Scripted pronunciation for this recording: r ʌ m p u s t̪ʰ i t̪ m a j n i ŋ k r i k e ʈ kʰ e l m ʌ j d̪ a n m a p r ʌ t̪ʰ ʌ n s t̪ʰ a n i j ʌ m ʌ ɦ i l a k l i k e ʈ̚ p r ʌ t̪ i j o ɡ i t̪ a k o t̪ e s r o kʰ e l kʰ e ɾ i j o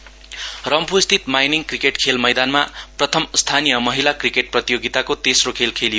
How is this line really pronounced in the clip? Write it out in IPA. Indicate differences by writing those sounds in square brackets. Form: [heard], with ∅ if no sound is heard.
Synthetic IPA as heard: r ʌ m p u s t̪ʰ i t̪ m a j n i ŋ k r i k e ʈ kʰ e l m ʌ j d̪ a n m a p r ʌ t̪ʰ ʌ [m] s t̪ʰ a n i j ʌ m ʌ ɦ i l a k [r] i k e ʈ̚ p r ʌ t̪ i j o ɡ i t̪ a k o t̪ e s r o kʰ e l kʰ e [l] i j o